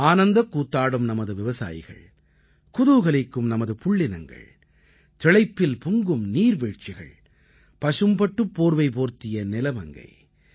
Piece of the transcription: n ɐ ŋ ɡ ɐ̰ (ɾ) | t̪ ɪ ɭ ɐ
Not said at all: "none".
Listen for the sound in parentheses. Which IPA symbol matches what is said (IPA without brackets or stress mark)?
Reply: ɭ